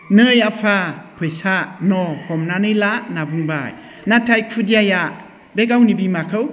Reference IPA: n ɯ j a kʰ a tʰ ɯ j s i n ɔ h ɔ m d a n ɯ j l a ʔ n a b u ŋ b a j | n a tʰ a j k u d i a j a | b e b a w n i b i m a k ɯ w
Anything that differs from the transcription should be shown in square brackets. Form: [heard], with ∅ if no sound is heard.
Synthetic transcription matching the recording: n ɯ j a [pʰ] a [pʰ] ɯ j s [a] n ɔ h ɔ m [n] a n ɯ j l a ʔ n a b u ŋ b a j | n a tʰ a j [kʰ] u d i a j a | b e [ɡ] a w n i b i m a [kʰ] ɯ w